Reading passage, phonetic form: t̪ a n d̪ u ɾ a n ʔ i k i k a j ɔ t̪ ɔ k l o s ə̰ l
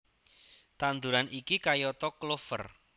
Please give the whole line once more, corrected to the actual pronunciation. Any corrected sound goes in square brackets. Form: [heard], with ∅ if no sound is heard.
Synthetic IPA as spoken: t̪ a n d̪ u ɾ a n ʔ i k i k a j ɔ t̪ ɔ k l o [f] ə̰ [r]